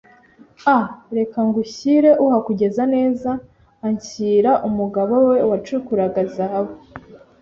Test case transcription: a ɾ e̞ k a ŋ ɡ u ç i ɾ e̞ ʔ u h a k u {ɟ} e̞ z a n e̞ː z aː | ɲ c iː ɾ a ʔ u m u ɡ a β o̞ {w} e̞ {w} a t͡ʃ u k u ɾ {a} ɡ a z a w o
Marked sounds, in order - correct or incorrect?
correct, correct, correct, correct

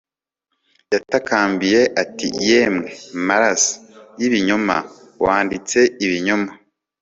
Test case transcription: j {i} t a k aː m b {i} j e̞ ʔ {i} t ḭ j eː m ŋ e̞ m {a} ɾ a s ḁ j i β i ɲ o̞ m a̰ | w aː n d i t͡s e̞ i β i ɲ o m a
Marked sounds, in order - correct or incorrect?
incorrect: a, correct, incorrect: a, correct

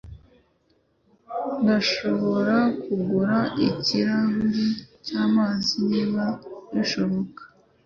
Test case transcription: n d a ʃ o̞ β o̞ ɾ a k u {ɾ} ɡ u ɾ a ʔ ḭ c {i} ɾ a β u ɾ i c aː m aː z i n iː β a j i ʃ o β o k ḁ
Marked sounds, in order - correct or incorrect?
incorrect: none, correct

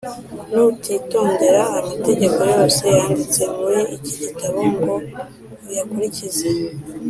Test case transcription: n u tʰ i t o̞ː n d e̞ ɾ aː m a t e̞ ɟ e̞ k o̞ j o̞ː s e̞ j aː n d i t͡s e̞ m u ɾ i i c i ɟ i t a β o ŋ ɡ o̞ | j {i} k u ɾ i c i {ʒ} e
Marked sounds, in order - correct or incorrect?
incorrect: a, incorrect: z

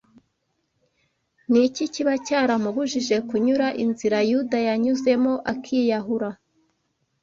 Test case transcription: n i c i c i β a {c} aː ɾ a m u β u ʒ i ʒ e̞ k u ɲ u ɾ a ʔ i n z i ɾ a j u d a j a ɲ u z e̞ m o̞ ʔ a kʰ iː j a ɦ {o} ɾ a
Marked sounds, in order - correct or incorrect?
correct, incorrect: u

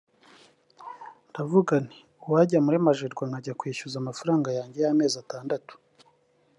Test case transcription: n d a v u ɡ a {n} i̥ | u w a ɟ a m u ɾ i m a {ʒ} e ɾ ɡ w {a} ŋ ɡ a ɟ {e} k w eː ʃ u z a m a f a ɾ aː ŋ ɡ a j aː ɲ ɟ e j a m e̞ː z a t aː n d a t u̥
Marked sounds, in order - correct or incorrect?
correct, correct, correct, incorrect: a

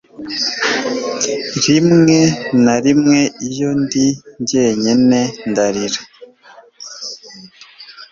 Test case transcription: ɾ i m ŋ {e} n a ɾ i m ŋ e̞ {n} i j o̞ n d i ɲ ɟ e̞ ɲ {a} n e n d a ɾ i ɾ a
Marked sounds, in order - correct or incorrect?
correct, incorrect: none, incorrect: e

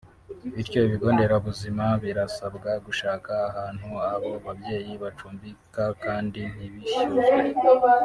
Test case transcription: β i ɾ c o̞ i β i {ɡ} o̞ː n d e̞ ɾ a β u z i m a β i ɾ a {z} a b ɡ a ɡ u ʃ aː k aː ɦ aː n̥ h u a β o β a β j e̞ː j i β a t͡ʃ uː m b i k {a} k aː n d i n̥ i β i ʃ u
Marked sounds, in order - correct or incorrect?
correct, incorrect: s, correct

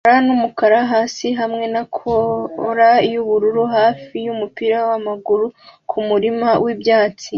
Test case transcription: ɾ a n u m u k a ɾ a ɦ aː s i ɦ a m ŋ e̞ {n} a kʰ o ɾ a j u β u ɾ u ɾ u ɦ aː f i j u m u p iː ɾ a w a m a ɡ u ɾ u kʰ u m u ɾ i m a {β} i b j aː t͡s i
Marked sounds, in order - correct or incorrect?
correct, incorrect: w

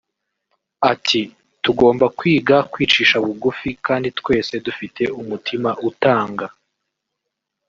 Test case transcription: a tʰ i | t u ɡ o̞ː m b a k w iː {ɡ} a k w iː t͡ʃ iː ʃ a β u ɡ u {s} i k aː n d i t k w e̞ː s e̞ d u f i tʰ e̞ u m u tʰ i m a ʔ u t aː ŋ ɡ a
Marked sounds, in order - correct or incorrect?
correct, incorrect: f

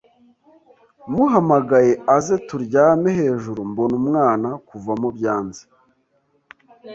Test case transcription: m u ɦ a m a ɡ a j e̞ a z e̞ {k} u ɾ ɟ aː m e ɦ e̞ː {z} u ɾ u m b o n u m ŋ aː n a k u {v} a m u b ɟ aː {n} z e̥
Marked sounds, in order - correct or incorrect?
incorrect: t, incorrect: ʒ, correct, correct

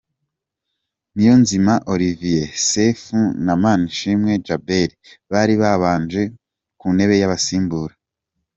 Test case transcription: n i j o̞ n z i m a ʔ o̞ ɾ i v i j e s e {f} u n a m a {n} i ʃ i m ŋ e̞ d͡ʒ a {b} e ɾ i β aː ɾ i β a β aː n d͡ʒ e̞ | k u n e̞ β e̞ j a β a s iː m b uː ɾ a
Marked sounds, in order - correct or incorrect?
correct, correct, correct

